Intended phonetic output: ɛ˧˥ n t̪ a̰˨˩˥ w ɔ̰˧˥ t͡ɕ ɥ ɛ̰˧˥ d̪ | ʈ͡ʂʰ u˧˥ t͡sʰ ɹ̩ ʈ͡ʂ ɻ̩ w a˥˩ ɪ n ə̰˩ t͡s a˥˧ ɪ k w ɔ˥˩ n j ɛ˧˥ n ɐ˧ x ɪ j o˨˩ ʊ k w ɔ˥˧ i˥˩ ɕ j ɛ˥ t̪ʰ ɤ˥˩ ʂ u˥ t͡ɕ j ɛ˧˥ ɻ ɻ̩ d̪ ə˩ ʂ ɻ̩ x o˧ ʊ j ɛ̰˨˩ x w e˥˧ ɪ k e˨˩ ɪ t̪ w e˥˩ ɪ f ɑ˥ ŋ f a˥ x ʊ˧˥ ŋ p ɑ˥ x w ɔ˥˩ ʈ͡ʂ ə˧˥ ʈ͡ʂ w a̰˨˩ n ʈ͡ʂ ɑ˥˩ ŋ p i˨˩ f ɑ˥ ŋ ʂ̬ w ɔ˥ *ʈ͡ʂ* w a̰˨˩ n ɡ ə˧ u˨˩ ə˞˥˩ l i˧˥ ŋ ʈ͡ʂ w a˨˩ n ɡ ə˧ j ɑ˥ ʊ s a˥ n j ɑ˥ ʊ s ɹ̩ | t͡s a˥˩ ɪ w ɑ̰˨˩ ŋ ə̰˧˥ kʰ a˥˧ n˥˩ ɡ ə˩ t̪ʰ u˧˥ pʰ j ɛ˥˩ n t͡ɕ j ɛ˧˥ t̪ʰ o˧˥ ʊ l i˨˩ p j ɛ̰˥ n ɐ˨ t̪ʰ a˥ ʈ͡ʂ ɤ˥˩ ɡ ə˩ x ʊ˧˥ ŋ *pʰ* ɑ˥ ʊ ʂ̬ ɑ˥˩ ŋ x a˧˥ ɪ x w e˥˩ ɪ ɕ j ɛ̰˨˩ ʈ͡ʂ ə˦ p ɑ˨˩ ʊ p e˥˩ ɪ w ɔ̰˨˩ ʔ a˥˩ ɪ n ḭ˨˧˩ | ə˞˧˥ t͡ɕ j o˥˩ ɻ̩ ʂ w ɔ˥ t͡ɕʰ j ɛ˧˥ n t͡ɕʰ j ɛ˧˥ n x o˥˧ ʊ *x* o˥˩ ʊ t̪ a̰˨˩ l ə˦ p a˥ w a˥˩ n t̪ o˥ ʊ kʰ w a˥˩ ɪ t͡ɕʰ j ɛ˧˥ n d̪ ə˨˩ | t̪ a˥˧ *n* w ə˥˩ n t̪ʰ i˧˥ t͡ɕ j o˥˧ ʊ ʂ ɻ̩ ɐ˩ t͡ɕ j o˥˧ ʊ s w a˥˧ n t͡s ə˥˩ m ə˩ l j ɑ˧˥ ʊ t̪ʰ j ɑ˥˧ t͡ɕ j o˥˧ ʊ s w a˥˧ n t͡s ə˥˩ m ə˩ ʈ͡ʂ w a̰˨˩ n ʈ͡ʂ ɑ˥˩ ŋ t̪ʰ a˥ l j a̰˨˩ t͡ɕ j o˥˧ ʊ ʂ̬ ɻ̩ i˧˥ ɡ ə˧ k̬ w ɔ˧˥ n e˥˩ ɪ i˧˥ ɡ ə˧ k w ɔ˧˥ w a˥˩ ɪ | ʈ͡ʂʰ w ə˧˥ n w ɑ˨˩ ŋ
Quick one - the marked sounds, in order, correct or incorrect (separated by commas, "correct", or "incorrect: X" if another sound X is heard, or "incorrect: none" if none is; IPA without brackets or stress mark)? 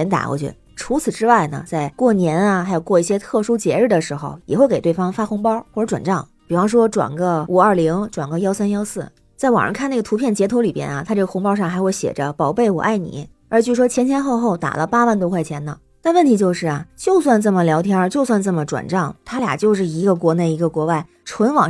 correct, incorrect: p, correct, correct